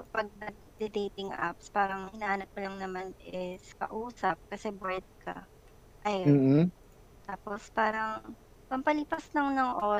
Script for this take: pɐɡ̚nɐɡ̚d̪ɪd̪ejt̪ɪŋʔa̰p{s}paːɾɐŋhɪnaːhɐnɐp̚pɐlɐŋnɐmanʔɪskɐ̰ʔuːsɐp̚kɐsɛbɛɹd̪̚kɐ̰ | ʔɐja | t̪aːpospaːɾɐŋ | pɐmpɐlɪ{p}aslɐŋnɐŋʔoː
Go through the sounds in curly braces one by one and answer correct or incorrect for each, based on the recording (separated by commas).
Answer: correct, correct